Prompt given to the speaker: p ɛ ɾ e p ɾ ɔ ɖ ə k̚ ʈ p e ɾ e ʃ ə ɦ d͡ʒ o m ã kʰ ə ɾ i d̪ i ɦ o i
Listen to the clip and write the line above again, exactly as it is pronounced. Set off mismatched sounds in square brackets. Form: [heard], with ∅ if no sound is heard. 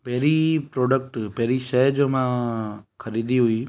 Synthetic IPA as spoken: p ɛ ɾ [i] p ɾ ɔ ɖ ə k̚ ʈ p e ɾ [i] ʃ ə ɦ d͡ʒ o m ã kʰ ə ɾ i d̪ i ɦ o i